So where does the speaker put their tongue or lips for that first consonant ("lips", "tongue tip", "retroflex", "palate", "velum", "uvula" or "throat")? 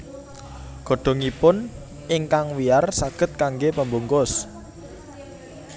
velum